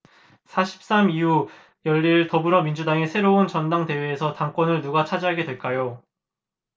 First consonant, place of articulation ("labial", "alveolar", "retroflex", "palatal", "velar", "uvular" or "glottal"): alveolar